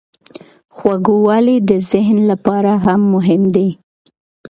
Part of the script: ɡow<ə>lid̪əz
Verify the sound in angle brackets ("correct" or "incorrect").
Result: incorrect